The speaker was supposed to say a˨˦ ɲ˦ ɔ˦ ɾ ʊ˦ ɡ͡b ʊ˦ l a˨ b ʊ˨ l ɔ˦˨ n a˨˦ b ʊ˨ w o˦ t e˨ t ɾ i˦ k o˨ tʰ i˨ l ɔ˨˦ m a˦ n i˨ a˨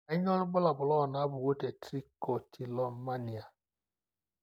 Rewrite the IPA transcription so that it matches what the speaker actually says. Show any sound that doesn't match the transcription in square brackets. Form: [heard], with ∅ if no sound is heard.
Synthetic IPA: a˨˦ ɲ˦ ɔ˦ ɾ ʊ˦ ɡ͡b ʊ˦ l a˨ b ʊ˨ l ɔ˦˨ n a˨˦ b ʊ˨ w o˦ t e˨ t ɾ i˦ k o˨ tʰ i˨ l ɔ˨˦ m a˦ n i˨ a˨